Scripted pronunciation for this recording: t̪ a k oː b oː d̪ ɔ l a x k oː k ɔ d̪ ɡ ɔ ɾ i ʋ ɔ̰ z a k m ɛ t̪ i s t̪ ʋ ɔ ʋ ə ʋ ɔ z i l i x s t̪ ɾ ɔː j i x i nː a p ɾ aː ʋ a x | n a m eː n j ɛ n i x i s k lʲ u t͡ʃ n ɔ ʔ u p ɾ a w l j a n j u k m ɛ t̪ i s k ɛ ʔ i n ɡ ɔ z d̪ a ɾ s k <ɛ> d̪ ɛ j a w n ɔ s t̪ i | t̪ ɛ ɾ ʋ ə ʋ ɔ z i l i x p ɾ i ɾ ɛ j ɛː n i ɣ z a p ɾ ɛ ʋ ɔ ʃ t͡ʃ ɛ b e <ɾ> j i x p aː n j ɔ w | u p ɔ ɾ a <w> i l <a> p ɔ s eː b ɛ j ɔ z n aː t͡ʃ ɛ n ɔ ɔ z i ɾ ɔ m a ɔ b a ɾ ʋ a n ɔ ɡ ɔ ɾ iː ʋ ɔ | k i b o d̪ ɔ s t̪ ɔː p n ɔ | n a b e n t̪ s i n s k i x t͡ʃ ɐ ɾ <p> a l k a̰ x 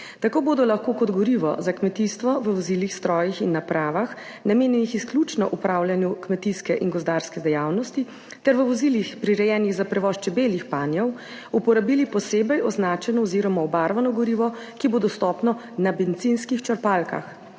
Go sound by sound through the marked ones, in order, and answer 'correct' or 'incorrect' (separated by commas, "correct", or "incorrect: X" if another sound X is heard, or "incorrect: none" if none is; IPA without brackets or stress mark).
correct, incorrect: l, incorrect: b, incorrect: i, correct